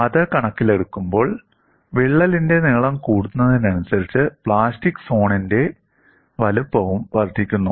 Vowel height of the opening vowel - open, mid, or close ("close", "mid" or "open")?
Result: open